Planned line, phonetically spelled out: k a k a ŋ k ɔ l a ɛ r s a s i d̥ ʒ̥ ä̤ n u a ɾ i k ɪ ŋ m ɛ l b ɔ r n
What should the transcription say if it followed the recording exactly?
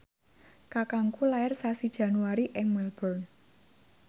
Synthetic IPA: k a k a ŋ k u l a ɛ r s a s i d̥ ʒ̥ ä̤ n u a ɾ i ʔ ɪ ŋ m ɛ l b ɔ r n